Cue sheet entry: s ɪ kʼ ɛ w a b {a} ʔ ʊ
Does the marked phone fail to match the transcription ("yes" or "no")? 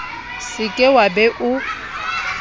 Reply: yes